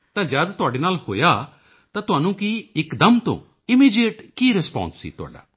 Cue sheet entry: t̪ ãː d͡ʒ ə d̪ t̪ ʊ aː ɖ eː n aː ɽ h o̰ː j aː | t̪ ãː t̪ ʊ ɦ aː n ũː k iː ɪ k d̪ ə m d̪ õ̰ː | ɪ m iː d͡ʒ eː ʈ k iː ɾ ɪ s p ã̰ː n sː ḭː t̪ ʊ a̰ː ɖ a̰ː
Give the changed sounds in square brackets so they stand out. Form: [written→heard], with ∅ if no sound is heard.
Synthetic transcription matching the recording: t̪ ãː d͡ʒ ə d̪ t̪ ʊ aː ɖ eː n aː [ɽ→l] h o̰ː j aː | t̪ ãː t̪ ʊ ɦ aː n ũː k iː ɪ k d̪ ə m [d̪→t̪] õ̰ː | ɪ m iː d͡ʒ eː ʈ k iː ɾ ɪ s p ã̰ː n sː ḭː t̪ ʊ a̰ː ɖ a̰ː

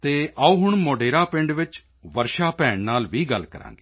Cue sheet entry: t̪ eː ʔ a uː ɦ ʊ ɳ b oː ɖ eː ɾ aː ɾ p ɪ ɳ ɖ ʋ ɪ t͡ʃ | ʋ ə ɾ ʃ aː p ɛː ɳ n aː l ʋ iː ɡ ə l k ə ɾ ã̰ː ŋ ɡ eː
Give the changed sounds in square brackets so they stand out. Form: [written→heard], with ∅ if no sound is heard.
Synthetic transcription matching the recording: t̪ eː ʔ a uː ɦ ʊ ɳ [b→m] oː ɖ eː ɾ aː [ɾ→∅] p ɪ ɳ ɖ ʋ ɪ t͡ʃ | ʋ ə ɾ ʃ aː p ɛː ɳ n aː l ʋ iː ɡ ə l k ə ɾ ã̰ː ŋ ɡ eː

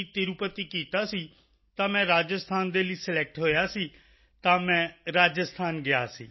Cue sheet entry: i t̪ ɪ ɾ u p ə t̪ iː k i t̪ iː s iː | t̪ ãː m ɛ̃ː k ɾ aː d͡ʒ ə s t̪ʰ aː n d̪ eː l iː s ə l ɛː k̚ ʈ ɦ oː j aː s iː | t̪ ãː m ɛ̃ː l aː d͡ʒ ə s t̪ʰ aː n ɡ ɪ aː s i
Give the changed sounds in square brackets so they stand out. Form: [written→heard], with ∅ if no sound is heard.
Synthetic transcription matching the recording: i t̪ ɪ ɾ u p ə t̪ iː k [i→iː] t̪ [iː→aː] s iː | t̪ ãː m ɛ̃ː [k→∅] ɾ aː d͡ʒ ə s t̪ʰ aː n d̪ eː l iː s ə l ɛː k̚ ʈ ɦ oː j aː s iː | t̪ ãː m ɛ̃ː [l→ɾ] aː d͡ʒ ə s t̪ʰ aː n ɡ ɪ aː s [i→iː]

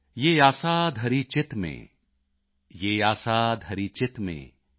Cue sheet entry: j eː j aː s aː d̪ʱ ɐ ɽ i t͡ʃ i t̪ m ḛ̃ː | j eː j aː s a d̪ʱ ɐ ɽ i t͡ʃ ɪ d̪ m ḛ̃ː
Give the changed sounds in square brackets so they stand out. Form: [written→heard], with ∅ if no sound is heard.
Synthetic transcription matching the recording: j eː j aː s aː d̪ʱ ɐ [ɽ→ɾ] i t͡ʃ [i→ɪ] t̪ m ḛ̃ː | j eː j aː s a d̪ʱ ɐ [ɽ→ɾ] i t͡ʃ ɪ [d̪→t̪] m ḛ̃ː

